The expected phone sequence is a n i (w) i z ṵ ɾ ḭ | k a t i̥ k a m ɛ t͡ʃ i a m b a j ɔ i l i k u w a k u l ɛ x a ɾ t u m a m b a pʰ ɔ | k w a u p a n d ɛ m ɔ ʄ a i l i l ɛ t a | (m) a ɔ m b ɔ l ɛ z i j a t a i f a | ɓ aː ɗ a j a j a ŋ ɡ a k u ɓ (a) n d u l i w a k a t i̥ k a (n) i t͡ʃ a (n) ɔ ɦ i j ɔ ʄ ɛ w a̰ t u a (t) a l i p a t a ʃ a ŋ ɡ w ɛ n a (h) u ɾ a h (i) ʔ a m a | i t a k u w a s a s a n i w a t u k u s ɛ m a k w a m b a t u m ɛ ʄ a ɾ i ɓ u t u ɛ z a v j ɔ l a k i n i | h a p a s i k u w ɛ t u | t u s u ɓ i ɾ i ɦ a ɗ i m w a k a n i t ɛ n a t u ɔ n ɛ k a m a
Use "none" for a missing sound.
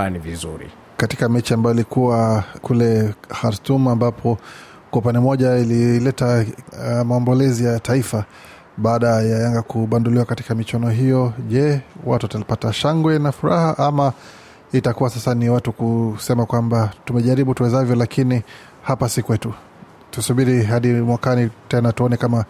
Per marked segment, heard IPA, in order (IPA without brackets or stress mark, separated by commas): v, m, a, m, n, t, f, a